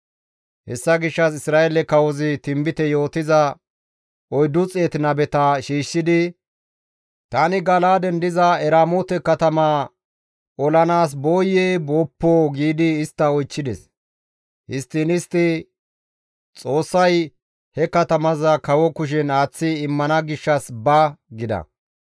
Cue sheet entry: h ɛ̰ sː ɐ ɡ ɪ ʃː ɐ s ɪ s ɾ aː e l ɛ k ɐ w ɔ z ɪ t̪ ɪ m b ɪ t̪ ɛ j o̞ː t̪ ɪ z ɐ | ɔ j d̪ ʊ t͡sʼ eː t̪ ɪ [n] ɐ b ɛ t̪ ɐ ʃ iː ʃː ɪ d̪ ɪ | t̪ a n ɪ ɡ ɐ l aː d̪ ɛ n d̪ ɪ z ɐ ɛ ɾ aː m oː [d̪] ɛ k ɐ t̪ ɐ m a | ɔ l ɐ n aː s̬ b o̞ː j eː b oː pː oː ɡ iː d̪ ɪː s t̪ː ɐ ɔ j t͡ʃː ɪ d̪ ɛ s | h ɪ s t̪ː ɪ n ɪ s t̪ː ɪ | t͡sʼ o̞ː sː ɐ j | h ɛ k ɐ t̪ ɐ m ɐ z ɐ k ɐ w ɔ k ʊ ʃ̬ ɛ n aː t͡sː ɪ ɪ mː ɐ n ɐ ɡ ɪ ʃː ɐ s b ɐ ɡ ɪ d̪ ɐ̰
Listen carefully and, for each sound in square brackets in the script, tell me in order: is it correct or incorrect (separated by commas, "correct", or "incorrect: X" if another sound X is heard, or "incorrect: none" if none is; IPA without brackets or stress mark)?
correct, incorrect: t̪